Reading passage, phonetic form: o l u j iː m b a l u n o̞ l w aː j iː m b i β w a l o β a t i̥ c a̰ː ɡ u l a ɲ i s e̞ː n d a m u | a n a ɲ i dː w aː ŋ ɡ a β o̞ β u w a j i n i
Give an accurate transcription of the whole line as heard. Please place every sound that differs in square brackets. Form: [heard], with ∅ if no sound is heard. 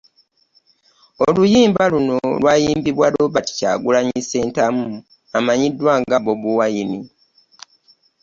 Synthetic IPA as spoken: o l u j iː m b a l u n o̞ l w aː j iː m b i β w a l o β a t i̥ c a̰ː ɡ u l a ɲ i s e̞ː n [t] a m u | a [m] a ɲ i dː w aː ŋ ɡ a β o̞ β u w a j i n i